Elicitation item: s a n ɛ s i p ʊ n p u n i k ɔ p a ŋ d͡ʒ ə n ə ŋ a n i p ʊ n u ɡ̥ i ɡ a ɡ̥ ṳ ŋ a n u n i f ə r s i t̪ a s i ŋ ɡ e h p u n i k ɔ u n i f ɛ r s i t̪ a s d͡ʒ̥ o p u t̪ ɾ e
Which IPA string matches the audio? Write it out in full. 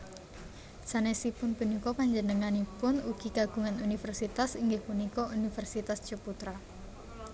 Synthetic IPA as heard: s a n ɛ s i p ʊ n p u n i k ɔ p a ɲ d͡ʒ ə n ə ŋ a n i p ʊ n u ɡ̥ i ɡ a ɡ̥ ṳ ŋ a n u n i f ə r s i t̪ a s i ŋ ɡ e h p u n i k ɔ u n i f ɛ r s i t̪ a s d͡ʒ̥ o p u t̪ ɾ a